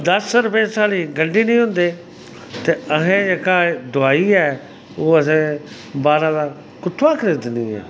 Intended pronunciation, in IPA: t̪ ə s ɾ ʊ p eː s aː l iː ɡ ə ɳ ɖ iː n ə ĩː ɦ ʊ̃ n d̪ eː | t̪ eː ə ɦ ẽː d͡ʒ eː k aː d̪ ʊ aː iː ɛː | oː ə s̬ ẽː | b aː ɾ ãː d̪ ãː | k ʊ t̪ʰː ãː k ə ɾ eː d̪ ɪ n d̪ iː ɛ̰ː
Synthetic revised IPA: d̪ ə s ɾ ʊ p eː s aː l iː ɡ ə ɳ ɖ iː n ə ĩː ɦ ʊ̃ n d̪ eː | t̪ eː ə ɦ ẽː d͡ʒ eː k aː d̪ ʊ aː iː ɛː | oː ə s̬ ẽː | b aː ɾ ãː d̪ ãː | k ʊ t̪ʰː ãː k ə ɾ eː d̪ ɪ n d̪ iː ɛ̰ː

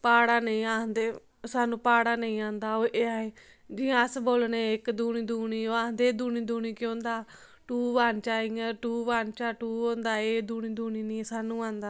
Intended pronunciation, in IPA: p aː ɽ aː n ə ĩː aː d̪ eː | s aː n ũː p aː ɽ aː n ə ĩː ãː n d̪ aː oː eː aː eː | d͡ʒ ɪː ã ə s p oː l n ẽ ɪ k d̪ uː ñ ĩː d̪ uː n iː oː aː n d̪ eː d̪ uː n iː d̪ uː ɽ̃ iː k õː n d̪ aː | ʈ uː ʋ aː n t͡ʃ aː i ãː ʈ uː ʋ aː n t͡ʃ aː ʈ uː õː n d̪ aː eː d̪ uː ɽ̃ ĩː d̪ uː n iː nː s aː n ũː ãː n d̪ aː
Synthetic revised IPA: p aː ɽ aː n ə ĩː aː d̪ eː | s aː n ũː p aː ɽ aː n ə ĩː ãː n d̪ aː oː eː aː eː | d͡ʒ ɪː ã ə s b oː l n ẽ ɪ k d̪ uː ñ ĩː d̪ uː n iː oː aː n d̪ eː d̪ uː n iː d̪ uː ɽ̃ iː k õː n d̪ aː | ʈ uː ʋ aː n t͡ʃ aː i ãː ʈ uː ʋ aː n t͡ʃ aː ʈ uː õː n d̪ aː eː d̪ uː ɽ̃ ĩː d̪ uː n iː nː s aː n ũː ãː n d̪ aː

